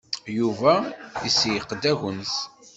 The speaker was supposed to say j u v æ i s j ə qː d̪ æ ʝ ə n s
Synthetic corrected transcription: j u v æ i s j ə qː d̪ æ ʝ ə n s

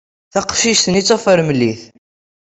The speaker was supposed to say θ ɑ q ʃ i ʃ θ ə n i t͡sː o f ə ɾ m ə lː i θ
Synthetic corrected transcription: θ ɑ q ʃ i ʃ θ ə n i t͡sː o f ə ɾ m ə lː i θ

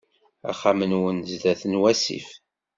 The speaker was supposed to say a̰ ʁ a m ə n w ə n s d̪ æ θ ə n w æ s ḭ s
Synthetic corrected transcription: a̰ χ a m ə n w ə n z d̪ æ θ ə n w æ s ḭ f

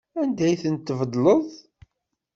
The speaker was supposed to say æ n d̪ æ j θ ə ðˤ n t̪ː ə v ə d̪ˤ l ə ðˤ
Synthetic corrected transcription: æ n d̪ æ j θ ə n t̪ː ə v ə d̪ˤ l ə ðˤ

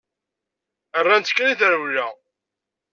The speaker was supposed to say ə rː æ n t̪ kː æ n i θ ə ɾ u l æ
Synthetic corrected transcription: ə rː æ n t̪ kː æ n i θ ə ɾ w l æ

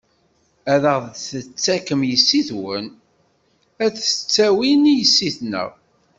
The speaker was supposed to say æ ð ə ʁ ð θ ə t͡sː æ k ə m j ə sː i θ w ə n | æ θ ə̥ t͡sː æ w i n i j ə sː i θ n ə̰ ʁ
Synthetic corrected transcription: æ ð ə ʁ ð θ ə t͡sː æ k ə m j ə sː i θ w ə n | æ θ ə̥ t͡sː æ w i n i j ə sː i θ n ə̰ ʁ

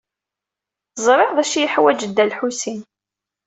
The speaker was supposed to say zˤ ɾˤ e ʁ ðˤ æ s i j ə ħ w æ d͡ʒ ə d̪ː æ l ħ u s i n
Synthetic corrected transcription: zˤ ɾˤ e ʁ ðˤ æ ʃ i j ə ħ w æ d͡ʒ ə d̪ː æ l ħ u s i n

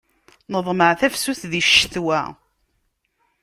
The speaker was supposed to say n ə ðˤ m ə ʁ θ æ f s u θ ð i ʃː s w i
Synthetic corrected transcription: n ə ðˤ m ə ʕ θ æ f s u θ ð i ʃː θ w æ

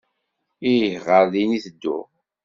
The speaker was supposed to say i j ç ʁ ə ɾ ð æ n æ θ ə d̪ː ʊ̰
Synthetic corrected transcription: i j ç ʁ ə ɾ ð i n i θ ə d̪ː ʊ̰

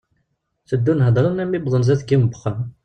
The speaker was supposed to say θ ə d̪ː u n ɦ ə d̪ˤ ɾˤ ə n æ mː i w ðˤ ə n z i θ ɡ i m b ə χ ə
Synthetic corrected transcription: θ ə d̪ː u n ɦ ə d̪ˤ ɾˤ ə n æ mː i b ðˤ ə n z æ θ ɡ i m b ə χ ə

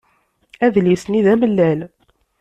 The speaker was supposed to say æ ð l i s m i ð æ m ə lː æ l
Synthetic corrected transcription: æ ð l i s n i ð æ m ə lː æ l

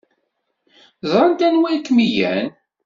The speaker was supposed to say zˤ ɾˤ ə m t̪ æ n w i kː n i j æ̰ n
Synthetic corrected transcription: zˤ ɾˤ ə n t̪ æ n w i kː m i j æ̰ n

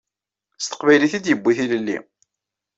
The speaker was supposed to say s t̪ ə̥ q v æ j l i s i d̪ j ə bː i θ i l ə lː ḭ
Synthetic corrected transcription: s t̪ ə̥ q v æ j l i θ i d̪ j ə bː i θ i l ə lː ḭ

